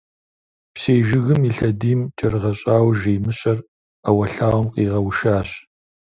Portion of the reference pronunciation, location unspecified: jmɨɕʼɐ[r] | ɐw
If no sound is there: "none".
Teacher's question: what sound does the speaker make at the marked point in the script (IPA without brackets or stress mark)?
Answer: r